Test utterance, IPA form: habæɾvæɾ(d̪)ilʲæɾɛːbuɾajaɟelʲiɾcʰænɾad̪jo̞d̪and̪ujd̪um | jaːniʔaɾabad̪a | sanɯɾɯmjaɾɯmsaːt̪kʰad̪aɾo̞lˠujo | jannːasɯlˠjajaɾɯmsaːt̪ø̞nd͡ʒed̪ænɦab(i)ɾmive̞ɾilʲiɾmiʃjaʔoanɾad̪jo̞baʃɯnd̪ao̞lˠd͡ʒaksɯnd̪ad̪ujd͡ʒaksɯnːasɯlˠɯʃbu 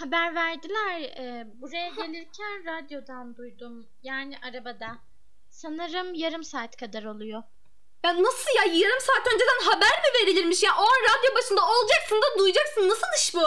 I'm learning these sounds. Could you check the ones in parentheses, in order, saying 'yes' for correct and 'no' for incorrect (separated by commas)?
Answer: yes, no